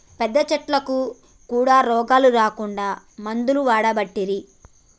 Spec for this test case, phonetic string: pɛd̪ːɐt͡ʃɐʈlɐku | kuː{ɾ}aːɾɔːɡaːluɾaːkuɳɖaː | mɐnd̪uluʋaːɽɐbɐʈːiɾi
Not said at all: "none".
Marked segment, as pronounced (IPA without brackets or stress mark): ɽ